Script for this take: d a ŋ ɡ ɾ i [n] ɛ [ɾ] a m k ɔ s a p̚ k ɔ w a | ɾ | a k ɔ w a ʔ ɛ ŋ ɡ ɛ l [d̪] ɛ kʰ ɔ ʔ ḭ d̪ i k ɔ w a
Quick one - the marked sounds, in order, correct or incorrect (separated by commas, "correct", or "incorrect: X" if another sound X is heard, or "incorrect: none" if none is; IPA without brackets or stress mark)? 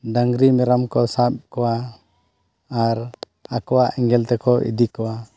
incorrect: m, correct, incorrect: t̪